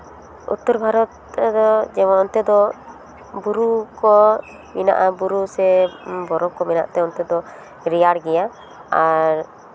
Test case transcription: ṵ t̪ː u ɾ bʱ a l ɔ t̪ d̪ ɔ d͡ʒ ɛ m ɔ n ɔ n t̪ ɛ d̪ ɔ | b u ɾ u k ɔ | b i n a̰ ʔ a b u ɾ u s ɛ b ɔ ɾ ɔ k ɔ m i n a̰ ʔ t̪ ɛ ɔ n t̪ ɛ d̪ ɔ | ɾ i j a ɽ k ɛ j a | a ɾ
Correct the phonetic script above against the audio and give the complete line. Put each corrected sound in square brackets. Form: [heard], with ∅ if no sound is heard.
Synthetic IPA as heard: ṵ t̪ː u ɾ bʱ a [ɾ] ɔ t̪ d̪ ɔ d͡ʒ ɛ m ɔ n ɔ n t̪ ɛ d̪ ɔ | b u ɾ u k ɔ | [m] i n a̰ ʔ a b u ɾ u s ɛ b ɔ ɾ ɔ k ɔ m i n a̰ ʔ t̪ ɛ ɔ n t̪ ɛ d̪ ɔ | ɾ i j a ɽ [ɡ] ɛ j a | a ɾ

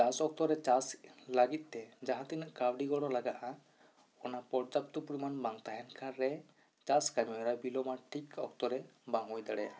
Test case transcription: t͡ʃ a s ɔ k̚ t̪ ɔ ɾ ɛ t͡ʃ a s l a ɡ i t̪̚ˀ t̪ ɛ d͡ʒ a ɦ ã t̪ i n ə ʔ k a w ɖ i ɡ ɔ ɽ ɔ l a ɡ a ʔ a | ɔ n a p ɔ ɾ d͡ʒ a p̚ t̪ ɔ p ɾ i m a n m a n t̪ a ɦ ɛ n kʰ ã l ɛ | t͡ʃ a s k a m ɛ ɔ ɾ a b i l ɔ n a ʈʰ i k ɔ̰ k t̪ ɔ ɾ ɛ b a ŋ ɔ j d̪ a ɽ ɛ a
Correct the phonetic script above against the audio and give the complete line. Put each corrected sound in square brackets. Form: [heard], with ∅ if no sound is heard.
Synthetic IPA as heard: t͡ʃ a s ɔ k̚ t̪ ɔ ɾ ɛ t͡ʃ a s l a ɡ i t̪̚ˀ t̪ ɛ d͡ʒ a ɦ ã t̪ i n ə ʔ k a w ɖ i ɡ ɔ ɽ ɔ l a ɡ a ʔ a | ɔ n a p ɔ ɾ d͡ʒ a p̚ t̪ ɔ p ɾ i m a n [b] a [ŋ] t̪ a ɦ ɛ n kʰ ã [ɾ] ɛ | t͡ʃ a s k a m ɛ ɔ ɾ a b i l ɔ [m] a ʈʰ i k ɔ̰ k t̪ ɔ ɾ ɛ b a ŋ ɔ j d̪ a ɽ ɛ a

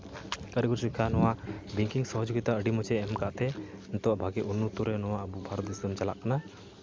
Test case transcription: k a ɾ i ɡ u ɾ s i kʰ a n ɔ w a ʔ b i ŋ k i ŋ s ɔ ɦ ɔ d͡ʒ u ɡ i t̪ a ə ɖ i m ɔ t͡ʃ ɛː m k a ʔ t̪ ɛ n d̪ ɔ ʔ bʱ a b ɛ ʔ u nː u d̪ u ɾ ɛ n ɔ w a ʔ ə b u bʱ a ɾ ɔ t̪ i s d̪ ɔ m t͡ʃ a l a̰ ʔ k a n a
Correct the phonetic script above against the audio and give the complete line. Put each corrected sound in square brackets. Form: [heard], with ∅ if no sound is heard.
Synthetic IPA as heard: k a ɾ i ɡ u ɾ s i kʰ a n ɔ w a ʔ b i ŋ k i ŋ s ɔ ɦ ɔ d͡ʒ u ɡ i t̪ a ə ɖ i m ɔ t͡ʃ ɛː m k a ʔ t̪ ɛ n [t̪] ɔ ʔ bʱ a [ɡ] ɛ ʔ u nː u [t̪] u ɾ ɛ n ɔ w a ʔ ə b u bʱ a ɾ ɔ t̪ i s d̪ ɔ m t͡ʃ a l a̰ ʔ k a n a

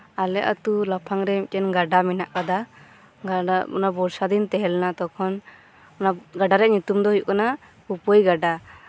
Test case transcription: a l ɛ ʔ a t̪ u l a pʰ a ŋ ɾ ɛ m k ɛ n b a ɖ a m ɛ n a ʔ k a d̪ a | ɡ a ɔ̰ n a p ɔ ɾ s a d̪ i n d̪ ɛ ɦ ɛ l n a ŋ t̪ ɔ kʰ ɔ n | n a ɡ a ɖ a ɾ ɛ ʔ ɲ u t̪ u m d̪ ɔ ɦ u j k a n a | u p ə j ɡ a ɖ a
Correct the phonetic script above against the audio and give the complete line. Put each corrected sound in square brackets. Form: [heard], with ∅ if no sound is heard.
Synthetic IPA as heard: a l ɛ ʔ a t̪ u l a pʰ a ŋ ɾ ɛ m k ɛ n [ɡ] a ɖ a m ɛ n a ʔ k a d̪ a | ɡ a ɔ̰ n a [b] ɔ ɾ s a d̪ i n [t̪] ɛ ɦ ɛ l n a [∅] t̪ ɔ kʰ ɔ n | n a ɡ a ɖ a ɾ ɛ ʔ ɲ u t̪ u m d̪ ɔ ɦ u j k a n a | u p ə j ɡ a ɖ a

